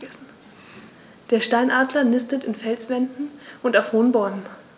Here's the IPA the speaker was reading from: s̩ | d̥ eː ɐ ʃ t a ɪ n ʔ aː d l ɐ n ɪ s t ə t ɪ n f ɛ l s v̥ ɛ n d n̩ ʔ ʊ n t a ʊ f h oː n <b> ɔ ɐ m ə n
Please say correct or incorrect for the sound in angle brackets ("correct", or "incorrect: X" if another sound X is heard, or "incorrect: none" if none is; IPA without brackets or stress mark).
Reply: correct